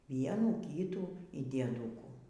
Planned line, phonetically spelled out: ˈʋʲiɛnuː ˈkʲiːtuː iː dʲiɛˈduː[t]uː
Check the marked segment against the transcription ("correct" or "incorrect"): incorrect